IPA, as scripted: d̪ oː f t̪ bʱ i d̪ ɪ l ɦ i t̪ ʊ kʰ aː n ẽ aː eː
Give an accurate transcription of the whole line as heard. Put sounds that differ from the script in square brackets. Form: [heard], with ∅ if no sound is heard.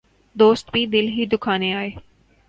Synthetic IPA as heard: d̪ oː [s] t̪ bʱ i d̪ ɪ l ɦ i [d̪] ʊ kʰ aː n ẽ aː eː